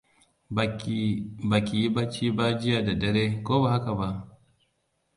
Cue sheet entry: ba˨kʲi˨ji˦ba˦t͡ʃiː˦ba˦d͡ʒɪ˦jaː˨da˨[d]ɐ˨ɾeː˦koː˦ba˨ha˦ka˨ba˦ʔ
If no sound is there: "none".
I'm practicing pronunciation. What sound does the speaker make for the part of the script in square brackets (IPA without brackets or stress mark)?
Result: d